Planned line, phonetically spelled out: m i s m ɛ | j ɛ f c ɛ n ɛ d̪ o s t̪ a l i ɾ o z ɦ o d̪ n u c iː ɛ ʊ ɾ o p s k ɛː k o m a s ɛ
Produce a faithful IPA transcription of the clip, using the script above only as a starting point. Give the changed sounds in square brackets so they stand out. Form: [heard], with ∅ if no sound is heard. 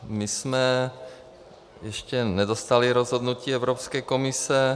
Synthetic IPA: m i s m ɛ | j ɛ [ʃ] c ɛ n ɛ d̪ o s t̪ a l i ɾ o z ɦ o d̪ n u c iː ɛ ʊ ɾ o p s k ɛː k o m [i] s ɛ